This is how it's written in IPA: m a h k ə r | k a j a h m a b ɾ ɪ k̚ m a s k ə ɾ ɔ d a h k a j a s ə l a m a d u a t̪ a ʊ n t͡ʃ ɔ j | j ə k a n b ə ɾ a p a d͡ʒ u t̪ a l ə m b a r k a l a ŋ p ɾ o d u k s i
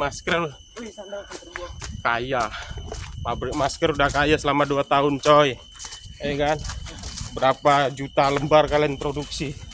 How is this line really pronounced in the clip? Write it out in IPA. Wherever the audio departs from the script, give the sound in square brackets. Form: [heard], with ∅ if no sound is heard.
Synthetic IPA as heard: m a [s] k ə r | k a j a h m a b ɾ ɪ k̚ m a s k ə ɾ [u] d a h k a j a s ə l a m a d u a t̪ a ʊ n t͡ʃ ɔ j | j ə k a n b ə ɾ a p a d͡ʒ u t̪ a l ə m b a r k a l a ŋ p ɾ o d u k s i